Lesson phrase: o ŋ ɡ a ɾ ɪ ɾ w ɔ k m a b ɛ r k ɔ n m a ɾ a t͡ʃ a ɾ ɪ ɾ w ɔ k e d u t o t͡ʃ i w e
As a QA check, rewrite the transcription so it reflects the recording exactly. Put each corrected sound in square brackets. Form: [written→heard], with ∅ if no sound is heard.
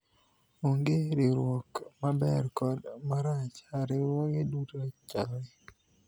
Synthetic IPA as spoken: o ŋ ɡ [a→e] ɾ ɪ ɾ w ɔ k m a b ɛ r k ɔ [n→d] m a ɾ a t͡ʃ a ɾ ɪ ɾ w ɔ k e d u t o t͡ʃ [i→a] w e